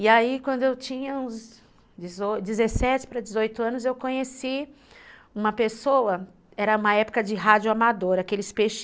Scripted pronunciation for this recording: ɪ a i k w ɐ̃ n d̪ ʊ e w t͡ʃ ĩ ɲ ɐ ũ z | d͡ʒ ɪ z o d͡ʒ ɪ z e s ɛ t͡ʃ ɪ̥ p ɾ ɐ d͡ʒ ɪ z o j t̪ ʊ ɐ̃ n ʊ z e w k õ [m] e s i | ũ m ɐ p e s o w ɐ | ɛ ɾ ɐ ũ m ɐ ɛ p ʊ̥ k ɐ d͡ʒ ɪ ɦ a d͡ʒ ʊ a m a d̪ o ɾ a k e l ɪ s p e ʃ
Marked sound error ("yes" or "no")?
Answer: yes